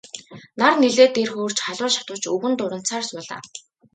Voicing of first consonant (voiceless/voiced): voiced